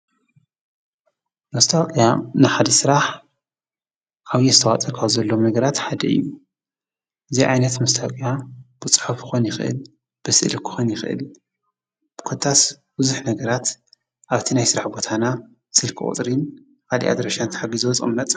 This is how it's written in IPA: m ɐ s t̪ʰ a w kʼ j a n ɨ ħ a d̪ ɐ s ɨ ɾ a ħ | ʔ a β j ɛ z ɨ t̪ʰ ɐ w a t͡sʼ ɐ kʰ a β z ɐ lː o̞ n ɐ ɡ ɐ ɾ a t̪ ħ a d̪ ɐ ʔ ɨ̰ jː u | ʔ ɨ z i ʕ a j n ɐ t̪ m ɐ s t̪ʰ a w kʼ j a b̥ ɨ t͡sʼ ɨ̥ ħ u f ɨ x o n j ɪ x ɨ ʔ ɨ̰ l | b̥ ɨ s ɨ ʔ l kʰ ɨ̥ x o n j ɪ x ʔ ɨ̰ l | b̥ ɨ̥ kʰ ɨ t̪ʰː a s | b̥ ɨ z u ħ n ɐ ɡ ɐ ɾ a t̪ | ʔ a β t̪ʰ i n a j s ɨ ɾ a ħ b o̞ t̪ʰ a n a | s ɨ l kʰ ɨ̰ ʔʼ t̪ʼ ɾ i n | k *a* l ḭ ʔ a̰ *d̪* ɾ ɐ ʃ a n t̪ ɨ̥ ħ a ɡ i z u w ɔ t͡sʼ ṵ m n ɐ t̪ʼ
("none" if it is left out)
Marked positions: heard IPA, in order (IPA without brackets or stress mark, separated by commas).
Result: a, d̪